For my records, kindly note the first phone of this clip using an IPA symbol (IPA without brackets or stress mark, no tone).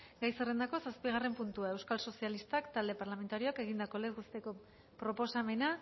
ɡ